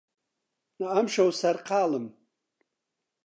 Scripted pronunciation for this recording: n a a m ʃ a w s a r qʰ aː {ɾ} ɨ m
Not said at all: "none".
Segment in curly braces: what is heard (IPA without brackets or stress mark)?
l